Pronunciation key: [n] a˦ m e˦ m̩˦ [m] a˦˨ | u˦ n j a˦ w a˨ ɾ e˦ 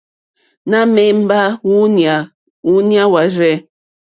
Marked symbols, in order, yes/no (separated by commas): yes, no